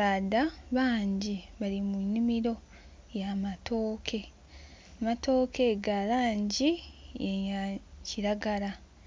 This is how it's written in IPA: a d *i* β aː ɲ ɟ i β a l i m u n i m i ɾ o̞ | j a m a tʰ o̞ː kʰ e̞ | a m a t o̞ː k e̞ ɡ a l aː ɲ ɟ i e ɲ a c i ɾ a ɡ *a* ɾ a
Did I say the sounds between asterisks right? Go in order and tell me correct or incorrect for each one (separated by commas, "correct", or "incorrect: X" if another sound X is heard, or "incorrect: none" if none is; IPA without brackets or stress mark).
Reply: incorrect: a, correct